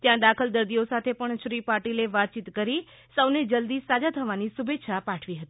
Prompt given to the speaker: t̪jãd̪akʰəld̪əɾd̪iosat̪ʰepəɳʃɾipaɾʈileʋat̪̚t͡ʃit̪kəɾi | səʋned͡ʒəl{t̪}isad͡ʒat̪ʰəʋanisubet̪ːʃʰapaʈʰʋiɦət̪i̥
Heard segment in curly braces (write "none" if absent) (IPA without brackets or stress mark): d̪